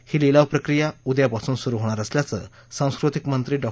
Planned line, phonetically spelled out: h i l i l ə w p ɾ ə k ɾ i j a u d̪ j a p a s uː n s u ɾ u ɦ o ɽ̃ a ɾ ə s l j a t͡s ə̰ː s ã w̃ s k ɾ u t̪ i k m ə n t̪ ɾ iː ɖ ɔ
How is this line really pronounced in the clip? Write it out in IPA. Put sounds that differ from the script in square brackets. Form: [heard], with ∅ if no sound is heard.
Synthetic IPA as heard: h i l i l [a] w p ɾ ə k ɾ i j a u d̪ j a p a s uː n s u ɾ u ɦ o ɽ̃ a ɾ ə s l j a t͡s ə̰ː s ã w̃ s k ɾ u t̪ i k m ə n t̪ ɾ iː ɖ ɔ